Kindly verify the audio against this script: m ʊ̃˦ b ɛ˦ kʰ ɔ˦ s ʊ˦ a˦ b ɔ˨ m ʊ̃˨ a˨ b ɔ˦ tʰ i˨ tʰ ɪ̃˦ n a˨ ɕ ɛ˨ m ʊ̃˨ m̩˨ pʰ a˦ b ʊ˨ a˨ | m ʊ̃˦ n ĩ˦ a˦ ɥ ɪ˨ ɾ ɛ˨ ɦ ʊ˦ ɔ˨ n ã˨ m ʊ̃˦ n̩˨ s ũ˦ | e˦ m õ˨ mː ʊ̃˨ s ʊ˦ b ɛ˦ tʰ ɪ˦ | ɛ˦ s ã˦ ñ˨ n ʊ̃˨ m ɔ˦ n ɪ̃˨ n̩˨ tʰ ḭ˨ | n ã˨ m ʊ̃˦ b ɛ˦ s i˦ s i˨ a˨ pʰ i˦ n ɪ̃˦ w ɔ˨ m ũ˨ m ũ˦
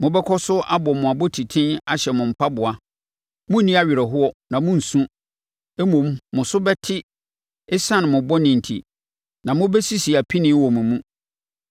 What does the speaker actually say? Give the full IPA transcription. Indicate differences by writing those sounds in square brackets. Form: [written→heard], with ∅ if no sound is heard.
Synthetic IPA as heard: m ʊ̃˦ b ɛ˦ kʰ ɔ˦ s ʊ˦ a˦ b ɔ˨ m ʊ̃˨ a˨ b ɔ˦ tʰ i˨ tʰ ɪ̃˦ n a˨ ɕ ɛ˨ m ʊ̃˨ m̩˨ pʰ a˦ b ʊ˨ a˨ | m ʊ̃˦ n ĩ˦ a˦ ɥ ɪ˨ ɾ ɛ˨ ɦ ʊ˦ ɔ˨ n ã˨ m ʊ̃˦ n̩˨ s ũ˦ | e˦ m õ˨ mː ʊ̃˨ s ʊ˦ b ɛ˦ tʰ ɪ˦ | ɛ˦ s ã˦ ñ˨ [n→m] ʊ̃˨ [m→b] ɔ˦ n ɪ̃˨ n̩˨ tʰ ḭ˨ | n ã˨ m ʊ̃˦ b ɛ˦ s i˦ s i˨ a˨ pʰ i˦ n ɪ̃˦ w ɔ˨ m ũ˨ m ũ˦

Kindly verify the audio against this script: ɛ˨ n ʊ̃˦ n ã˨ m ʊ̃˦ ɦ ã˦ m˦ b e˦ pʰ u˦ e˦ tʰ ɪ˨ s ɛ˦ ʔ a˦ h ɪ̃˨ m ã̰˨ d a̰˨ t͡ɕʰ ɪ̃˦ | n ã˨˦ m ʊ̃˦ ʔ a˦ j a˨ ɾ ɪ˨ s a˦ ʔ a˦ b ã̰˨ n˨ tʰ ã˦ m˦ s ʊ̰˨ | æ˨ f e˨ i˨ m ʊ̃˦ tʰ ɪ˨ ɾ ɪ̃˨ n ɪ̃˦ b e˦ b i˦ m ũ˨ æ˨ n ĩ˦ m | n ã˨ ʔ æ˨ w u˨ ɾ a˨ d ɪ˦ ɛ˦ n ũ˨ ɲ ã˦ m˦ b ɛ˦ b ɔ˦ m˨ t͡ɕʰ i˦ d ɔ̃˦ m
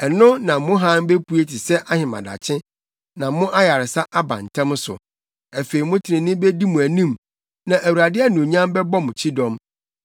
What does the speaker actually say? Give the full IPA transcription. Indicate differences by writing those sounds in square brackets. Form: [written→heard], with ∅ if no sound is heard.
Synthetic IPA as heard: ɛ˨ n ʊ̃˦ n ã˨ m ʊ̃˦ ɦ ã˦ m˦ b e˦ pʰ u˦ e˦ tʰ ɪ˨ s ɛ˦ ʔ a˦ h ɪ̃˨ m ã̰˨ d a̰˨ t͡ɕʰ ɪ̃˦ | n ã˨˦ m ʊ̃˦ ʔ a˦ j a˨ ɾ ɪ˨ s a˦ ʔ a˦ b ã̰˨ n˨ tʰ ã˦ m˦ s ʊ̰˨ | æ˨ f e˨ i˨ m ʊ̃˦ tʰ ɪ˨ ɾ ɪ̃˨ n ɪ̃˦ b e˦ [b→d] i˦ m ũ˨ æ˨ n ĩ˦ m | n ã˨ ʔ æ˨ w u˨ ɾ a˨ d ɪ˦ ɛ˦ n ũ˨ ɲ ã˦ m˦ b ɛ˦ b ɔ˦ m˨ t͡ɕʰ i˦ d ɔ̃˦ m

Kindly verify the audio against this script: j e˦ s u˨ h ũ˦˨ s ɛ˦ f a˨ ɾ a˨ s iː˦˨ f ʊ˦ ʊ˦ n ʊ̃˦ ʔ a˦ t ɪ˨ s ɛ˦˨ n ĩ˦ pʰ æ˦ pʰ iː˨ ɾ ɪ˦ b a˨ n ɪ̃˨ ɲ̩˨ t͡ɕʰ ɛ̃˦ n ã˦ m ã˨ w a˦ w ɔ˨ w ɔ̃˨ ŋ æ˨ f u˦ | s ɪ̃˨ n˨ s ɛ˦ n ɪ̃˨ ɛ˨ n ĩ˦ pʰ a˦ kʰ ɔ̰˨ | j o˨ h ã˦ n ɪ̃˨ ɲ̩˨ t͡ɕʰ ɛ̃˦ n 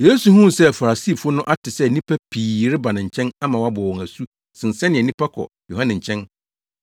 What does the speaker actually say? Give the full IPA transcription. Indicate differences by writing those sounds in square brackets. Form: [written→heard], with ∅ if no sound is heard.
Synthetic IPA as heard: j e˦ s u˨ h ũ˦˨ s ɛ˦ f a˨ ɾ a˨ s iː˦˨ f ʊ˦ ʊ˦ n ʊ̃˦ ʔ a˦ t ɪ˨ s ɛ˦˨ n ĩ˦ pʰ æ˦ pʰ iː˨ ɾ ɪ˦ b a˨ n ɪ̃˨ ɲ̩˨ t͡ɕʰ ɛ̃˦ n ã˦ m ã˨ w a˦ [w→b] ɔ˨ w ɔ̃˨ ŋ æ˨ [f→s] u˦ | s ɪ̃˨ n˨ s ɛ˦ n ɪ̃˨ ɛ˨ n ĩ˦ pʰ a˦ kʰ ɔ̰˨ | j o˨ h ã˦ n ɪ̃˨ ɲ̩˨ t͡ɕʰ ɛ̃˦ n

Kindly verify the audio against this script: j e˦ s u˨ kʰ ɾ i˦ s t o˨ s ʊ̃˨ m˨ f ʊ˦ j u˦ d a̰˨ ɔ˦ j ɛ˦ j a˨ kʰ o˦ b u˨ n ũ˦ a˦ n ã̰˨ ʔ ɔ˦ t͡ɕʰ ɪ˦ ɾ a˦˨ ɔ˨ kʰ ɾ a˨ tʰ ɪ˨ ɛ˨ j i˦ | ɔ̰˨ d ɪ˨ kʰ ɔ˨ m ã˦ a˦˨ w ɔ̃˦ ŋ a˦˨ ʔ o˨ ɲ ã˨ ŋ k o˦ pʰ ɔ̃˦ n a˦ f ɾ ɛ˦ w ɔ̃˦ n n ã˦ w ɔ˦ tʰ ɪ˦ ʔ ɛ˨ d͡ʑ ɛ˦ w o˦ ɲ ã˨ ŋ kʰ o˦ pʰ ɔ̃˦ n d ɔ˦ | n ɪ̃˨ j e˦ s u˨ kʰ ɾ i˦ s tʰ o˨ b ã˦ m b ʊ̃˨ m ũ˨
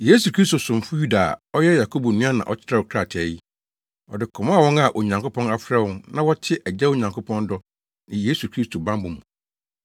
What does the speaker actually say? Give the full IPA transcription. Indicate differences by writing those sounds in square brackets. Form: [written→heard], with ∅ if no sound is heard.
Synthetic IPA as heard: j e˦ s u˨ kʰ ɾ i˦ s t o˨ s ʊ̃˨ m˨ f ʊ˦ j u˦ d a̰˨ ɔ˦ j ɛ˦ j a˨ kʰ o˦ b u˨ n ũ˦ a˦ n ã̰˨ ʔ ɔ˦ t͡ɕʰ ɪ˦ ɾ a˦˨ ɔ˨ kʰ ɾ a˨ tʰ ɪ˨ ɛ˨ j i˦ | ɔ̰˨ d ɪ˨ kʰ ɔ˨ m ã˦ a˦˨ w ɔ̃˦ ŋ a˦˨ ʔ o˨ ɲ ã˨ ŋ k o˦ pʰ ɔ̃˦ n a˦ f ɾ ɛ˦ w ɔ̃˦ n n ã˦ w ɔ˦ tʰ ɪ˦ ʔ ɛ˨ d͡ʑ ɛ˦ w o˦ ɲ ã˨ ŋ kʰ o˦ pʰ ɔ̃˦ n d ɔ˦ | n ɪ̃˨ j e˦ s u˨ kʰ ɾ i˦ s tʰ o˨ b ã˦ m b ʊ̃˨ m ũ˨

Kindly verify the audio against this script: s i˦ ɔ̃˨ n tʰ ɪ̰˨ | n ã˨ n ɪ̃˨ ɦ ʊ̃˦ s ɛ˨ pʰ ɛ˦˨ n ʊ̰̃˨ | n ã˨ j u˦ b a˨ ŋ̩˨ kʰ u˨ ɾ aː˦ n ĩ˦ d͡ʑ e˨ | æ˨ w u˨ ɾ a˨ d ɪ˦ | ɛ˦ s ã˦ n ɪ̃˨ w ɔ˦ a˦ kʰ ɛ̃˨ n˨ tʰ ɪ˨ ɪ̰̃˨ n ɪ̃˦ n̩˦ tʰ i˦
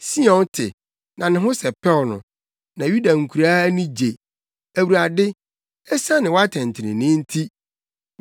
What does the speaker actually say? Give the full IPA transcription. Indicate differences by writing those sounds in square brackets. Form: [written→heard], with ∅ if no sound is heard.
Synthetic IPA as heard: s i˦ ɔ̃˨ n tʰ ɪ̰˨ | n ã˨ n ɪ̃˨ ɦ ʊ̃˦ s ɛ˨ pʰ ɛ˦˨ n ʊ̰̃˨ | n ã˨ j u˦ [b→d] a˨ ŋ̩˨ kʰ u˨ ɾ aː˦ n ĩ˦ d͡ʑ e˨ | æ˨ w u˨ ɾ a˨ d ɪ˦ | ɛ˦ s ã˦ n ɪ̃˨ w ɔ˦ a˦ [kʰ→tʰ] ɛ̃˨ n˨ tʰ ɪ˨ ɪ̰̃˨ n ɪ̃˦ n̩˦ tʰ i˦

